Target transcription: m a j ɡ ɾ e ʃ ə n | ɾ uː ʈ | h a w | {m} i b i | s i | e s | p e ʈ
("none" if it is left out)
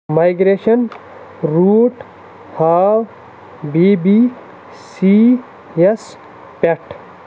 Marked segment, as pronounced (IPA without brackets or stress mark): b